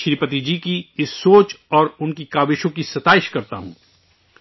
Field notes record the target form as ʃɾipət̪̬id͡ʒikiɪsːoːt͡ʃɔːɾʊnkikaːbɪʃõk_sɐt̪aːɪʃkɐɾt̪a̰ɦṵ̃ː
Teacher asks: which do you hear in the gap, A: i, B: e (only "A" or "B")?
A